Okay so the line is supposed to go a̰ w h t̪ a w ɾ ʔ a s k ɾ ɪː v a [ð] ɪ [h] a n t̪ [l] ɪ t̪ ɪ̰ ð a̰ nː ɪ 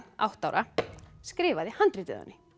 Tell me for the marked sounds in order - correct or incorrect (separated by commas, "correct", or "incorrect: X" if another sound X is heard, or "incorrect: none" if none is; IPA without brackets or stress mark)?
correct, correct, incorrect: ɾ